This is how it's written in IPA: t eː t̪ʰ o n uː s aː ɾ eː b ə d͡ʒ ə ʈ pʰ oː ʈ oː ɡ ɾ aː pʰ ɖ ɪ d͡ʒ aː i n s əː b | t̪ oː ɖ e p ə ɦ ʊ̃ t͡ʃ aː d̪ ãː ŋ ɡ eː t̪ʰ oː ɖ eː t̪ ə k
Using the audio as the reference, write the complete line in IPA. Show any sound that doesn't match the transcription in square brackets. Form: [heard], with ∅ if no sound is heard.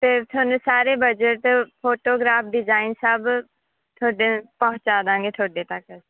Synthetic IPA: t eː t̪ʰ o n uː s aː ɾ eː b ə d͡ʒ ə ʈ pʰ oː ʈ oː ɡ ɾ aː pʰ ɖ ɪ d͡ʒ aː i n s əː b | [t̪ʰ] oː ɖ e p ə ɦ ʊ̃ t͡ʃ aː d̪ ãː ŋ ɡ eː t̪ʰ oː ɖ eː t̪ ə k

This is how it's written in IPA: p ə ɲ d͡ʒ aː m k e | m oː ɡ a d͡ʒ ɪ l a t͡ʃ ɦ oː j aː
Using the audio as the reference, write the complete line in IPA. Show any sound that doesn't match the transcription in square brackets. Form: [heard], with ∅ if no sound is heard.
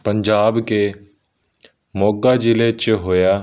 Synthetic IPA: p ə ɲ d͡ʒ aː [b] k e | m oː ɡ a d͡ʒ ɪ l [e] t͡ʃ ɦ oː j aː

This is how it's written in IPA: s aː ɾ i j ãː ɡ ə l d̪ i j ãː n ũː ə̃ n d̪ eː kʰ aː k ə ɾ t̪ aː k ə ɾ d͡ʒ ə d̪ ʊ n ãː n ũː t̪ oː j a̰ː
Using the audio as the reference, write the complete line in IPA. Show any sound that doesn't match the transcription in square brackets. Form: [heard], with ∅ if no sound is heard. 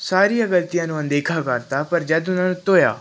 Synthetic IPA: s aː ɾ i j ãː ɡ ə l [t̪] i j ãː n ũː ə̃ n d̪ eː kʰ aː k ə ɾ t̪ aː [p] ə ɾ d͡ʒ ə d̪ ʊ n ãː n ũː t̪ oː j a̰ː

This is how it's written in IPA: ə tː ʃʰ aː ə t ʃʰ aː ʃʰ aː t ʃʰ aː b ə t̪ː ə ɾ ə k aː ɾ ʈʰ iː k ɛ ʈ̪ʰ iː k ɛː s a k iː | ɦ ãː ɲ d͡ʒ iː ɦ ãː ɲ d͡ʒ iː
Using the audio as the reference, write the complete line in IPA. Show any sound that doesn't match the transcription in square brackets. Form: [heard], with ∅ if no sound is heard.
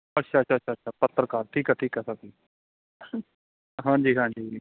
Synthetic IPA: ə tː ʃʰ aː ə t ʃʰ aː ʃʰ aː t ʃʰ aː [p] ə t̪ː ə ɾ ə k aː ɾ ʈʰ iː k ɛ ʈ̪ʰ iː k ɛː s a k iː | ɦ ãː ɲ d͡ʒ iː ɦ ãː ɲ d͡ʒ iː

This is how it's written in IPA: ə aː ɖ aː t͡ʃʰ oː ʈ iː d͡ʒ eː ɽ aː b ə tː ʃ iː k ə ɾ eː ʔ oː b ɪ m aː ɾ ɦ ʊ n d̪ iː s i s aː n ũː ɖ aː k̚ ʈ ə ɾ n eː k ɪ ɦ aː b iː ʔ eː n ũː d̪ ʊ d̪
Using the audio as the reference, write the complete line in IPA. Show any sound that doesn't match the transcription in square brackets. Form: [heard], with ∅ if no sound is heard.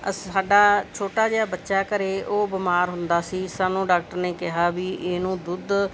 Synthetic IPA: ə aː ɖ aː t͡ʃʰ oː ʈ [aː] d͡ʒ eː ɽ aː b ə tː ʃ [aː] k ə ɾ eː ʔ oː b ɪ m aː ɾ ɦ ʊ n d̪ [aː] s [iː] s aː n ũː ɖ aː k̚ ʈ ə ɾ n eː k ɪ ɦ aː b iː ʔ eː n ũː d̪ ʊ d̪

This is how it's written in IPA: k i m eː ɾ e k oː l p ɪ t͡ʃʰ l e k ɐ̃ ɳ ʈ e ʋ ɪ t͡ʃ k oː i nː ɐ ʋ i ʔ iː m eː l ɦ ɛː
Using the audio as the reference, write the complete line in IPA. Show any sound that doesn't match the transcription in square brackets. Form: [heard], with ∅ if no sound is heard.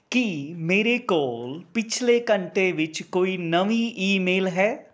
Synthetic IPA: k i m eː ɾ e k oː l p ɪ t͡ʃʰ l e k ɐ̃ ɳ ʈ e ʋ ɪ t͡ʃ k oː i [n] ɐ ʋ i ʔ iː m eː l ɦ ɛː

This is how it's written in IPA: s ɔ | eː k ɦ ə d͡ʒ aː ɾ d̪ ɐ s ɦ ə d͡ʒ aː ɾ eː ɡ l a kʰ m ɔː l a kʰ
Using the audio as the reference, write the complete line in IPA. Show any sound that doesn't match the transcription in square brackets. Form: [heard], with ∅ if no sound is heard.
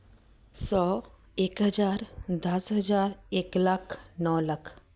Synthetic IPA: s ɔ | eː k ɦ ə d͡ʒ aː ɾ d̪ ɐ s ɦ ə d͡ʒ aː ɾ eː [k] l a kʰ [n] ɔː l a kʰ

